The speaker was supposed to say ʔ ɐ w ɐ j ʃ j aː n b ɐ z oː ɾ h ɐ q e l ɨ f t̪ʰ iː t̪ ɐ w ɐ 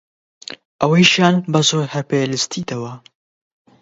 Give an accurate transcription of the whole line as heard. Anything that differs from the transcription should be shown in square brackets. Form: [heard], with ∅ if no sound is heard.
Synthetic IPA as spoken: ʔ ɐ w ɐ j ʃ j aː n b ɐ z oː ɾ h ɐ [p] e l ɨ [s] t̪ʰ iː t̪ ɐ w ɐ